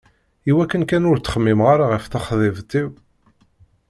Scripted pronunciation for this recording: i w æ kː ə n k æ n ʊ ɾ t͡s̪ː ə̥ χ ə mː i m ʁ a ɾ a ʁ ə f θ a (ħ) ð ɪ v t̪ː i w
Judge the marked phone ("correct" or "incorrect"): incorrect